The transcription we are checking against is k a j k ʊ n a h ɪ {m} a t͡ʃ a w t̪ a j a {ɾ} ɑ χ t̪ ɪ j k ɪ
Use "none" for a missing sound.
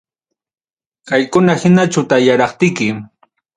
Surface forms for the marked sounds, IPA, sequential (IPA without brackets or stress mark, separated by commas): n, ɾ